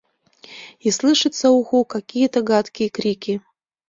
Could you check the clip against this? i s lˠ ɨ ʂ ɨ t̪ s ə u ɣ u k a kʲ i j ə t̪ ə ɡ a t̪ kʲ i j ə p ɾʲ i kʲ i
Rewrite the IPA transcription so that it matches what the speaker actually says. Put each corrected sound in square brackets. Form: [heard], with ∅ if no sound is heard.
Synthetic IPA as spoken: i s lˠ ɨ ʂ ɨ t̪ s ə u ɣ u k a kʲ i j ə t̪ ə ɡ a t̪ kʲ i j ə [k] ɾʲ i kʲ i